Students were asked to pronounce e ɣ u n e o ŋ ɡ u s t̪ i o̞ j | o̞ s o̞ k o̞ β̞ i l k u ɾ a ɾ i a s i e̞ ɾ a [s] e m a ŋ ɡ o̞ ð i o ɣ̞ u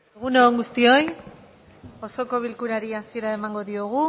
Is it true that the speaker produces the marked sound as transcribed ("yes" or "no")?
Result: no